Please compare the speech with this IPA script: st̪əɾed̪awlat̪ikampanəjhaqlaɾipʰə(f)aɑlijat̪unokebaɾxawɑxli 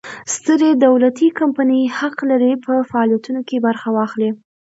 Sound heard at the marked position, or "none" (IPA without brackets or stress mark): f